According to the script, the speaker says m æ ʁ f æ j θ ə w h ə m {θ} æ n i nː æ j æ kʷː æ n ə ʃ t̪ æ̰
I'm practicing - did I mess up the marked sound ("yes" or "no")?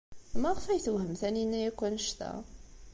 no